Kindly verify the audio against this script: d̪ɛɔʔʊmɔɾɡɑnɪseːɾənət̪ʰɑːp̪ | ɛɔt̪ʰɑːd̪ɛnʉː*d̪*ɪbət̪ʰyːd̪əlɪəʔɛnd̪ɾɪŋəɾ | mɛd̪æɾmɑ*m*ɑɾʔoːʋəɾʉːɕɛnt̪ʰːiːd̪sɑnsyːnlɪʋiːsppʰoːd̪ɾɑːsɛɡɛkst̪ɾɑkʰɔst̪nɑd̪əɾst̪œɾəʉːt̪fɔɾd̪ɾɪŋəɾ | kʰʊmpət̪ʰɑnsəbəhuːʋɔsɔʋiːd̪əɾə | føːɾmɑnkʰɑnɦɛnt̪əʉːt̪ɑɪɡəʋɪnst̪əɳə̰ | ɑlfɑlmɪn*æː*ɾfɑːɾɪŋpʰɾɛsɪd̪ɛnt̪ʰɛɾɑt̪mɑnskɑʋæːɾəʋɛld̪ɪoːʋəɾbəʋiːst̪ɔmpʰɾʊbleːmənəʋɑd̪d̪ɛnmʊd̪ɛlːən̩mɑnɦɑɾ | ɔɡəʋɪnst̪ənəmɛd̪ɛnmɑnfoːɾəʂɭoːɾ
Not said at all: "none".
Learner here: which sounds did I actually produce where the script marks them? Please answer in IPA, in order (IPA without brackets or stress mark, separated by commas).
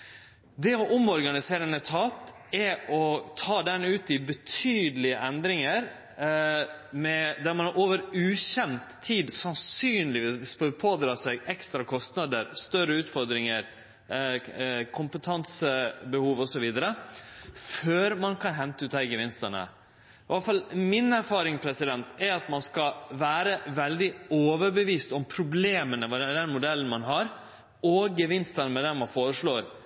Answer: t̪, n, æ